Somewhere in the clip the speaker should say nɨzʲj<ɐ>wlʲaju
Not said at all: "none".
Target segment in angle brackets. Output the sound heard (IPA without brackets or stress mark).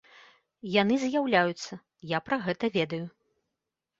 a